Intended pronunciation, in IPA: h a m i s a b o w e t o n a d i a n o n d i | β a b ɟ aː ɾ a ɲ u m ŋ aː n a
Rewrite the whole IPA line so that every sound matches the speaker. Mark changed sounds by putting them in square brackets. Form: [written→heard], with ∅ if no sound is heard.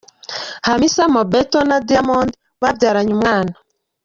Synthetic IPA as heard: h a m i s a [b→m] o [w→b] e t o n a d i a [n→m] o n d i | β a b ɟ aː ɾ a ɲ u m ŋ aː n a

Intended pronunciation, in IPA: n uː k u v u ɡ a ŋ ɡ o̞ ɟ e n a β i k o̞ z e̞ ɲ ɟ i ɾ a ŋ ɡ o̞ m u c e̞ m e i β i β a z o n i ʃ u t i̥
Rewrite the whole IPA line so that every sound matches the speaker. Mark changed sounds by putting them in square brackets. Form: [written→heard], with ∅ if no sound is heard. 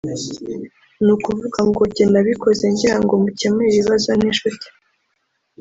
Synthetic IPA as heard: n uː k u v u ɡ a ŋ ɡ o̞ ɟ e n a β i k o̞ z e̞ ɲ ɟ i ɾ a ŋ ɡ o̞ m u c e̞ m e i β i β a z o n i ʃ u t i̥

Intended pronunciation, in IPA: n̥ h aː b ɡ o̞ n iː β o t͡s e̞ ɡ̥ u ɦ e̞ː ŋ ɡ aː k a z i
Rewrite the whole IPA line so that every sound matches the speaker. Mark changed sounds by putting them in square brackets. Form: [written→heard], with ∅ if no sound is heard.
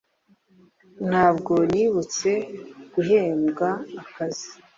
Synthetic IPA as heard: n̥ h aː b ɡ o̞ n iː β [o→u] t͡s e̞ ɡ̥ u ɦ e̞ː [ŋ→m] ɡ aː k a z i

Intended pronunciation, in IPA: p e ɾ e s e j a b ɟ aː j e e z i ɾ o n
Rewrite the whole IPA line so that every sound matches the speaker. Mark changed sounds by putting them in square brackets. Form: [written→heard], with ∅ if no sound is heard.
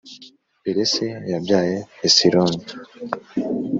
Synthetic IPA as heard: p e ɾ e s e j a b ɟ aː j e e [z→s] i ɾ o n

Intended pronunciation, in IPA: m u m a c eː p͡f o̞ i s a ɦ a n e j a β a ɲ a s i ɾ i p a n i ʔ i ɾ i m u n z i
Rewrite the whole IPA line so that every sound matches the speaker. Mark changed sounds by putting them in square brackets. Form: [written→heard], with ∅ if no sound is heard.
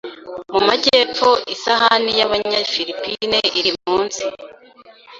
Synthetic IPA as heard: m u m a [c→ɟ] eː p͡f o̞ i s a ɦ a n [e→i] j a β a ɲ a [s→f] i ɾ i p [a→i] n [i→e] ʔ i ɾ i m [u→uː] n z i

